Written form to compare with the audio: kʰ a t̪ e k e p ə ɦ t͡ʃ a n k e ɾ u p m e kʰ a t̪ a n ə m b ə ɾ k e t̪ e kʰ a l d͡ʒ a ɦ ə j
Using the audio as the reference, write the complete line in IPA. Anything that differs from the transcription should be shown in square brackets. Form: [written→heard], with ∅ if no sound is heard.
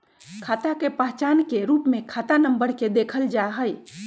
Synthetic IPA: kʰ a t̪ [e→a] k e p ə ɦ t͡ʃ a n k e ɾ u p m e kʰ a t̪ a n ə m b ə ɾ k e [t̪→d̪] e kʰ [a→ə] l d͡ʒ a ɦ ə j